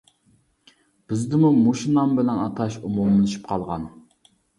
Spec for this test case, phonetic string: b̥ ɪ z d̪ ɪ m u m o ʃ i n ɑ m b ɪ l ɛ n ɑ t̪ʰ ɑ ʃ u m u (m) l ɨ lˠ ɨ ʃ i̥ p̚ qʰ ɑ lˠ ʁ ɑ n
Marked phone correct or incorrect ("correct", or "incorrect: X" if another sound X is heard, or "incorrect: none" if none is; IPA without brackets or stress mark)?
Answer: correct